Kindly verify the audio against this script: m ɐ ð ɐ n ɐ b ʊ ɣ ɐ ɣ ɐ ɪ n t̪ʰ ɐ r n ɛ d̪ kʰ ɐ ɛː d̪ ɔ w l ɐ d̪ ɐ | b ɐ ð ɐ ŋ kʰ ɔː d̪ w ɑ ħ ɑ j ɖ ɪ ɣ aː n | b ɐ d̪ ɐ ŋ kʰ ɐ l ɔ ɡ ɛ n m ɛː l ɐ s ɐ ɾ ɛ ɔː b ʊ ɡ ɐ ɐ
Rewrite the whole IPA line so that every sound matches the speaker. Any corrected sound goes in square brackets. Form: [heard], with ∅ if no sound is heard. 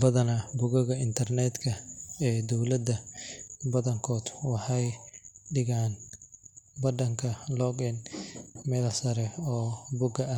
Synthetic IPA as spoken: [b] ɐ ð ɐ n ɐ b ʊ ɣ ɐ ɣ ɐ ɪ n t̪ʰ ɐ r n ɛ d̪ kʰ ɐ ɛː d̪ ɔ w l ɐ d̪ ɐ | b ɐ ð ɐ ŋ kʰ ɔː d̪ w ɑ ħ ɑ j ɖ ɪ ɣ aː n | b ɐ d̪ ɐ ŋ kʰ ɐ l ɔ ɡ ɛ n m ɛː l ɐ s ɐ ɾ ɛ ɔː b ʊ ɡ ɐ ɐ